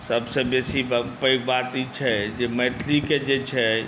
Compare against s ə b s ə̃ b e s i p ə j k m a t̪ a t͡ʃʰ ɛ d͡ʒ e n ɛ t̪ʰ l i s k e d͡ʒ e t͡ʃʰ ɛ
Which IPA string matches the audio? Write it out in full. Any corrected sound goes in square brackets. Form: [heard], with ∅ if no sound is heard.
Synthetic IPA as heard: s ə b s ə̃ b e s i p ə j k [b] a t̪ [i] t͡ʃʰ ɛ d͡ʒ e [m] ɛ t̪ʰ l i [∅] k e d͡ʒ e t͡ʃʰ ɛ